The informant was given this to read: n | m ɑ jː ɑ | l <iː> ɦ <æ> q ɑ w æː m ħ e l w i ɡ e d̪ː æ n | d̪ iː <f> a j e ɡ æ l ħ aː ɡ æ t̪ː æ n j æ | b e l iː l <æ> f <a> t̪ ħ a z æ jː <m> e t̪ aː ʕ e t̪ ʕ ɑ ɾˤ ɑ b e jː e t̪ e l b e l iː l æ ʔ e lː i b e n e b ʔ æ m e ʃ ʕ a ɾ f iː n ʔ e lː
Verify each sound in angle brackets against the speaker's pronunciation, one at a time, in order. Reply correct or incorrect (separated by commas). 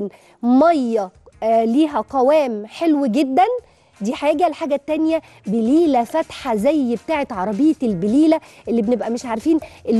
correct, correct, incorrect, correct, incorrect, incorrect